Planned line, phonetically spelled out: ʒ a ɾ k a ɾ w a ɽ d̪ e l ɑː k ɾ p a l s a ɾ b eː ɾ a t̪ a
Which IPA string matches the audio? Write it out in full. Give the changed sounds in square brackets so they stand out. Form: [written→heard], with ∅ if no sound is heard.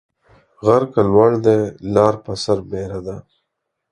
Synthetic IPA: [ʒ→ɣ] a ɾ k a [ɾ→l] w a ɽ d̪ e l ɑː [k→∅] ɾ p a [l→∅] s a ɾ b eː ɾ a [t̪→d̪] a